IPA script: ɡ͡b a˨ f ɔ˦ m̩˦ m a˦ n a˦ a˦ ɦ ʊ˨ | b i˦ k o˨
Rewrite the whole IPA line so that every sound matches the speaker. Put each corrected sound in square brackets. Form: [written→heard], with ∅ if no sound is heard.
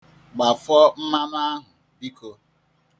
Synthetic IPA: ɡ͡b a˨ f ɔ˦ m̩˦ m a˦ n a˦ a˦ ɦ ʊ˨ | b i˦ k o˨